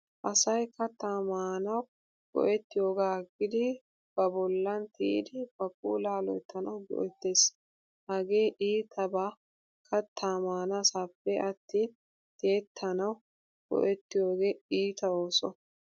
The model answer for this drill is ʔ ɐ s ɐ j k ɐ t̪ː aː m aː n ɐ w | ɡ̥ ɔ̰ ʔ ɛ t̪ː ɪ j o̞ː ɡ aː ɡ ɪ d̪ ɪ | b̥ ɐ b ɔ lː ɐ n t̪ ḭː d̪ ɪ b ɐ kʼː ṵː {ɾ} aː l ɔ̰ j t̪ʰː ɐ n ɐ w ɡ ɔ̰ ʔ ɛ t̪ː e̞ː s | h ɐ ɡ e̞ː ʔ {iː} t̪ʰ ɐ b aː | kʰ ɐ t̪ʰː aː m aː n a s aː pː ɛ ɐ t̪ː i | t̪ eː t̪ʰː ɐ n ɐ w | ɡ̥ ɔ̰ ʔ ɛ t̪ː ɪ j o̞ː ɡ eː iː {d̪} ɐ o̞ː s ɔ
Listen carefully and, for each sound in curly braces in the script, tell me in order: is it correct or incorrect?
incorrect, correct, incorrect

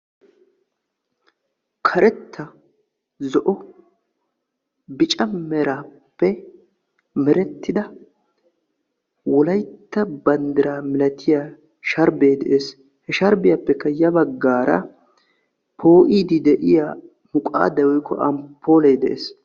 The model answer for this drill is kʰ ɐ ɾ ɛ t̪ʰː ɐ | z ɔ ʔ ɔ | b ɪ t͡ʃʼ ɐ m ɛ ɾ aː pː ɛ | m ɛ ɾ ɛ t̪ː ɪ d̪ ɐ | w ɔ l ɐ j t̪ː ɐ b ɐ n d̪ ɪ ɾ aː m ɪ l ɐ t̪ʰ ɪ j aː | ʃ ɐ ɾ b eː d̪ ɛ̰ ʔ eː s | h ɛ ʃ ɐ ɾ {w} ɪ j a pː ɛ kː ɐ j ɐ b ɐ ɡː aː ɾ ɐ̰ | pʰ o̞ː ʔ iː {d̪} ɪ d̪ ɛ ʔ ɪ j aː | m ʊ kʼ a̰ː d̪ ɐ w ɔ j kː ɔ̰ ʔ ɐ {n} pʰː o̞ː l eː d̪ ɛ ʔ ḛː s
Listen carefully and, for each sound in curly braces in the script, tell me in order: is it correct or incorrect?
incorrect, correct, incorrect

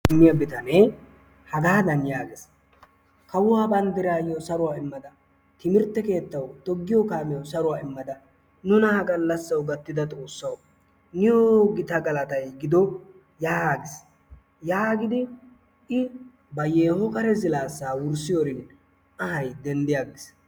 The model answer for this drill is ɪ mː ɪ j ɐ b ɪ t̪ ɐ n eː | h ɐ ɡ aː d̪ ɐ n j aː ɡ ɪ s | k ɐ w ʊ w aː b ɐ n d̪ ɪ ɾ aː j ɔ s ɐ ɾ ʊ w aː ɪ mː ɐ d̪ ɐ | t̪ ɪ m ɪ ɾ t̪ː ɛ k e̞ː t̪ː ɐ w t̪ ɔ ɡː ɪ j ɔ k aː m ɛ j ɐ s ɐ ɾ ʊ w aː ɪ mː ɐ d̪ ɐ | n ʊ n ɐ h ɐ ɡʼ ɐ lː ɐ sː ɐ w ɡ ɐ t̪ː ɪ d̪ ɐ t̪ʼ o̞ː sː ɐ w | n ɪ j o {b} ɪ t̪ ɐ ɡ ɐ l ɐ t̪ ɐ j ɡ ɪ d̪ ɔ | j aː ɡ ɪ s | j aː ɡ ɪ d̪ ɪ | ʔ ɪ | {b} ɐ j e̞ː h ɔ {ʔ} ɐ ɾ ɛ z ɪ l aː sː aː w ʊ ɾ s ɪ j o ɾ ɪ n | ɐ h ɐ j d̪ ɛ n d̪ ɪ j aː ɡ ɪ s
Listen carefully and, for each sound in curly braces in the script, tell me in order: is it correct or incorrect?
incorrect, correct, incorrect

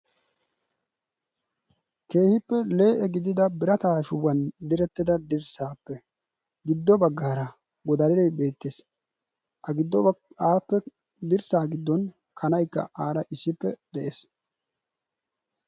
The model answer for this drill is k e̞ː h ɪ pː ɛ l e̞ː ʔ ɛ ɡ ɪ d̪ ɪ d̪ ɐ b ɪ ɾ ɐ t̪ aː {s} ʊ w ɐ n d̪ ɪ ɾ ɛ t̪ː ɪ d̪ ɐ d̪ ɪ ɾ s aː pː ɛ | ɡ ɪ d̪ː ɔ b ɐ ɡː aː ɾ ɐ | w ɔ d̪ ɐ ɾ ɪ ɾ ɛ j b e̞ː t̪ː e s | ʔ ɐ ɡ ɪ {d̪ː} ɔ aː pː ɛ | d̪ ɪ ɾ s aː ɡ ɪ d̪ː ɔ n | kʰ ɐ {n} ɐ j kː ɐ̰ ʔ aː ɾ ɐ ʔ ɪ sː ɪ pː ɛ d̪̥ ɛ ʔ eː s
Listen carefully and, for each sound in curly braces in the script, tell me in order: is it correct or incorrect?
incorrect, correct, correct

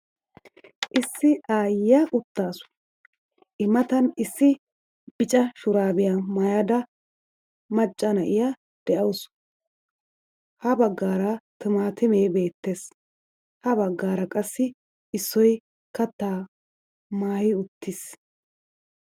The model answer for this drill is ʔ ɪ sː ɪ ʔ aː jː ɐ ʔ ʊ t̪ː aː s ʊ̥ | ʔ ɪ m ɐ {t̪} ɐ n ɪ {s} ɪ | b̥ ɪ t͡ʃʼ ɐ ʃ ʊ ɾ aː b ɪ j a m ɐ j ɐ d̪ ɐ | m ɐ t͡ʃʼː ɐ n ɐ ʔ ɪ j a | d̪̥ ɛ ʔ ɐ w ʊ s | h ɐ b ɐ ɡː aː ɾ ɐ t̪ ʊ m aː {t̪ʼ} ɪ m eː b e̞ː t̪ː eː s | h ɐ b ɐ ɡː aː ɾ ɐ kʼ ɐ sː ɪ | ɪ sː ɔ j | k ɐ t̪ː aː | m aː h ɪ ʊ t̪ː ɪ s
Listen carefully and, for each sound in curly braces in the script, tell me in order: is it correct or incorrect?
correct, incorrect, incorrect

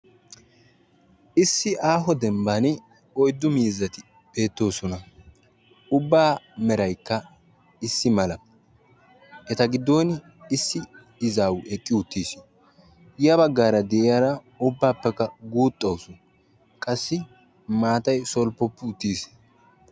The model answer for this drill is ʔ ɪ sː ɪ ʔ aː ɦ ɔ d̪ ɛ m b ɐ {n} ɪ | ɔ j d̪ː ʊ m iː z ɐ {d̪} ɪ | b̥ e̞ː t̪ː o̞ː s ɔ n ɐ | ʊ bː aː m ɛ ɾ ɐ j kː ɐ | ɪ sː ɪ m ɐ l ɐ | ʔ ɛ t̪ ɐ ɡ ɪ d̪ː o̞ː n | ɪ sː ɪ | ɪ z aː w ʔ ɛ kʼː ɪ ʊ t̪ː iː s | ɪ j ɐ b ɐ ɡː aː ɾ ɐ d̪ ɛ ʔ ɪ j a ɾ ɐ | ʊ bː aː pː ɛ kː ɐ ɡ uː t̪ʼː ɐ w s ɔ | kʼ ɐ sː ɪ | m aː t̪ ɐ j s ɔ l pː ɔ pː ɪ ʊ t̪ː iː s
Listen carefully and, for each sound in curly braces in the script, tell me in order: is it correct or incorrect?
correct, incorrect

